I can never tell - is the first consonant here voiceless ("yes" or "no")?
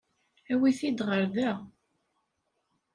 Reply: no